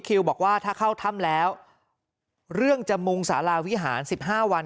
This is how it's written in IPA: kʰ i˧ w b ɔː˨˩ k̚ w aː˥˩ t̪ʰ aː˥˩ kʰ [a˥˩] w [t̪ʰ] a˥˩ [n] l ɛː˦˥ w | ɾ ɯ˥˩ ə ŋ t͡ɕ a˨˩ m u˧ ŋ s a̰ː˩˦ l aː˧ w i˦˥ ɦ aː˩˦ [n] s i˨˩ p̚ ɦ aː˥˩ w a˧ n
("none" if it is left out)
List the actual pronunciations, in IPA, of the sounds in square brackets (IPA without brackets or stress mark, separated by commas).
a˥˩, t̪ʰ, m, n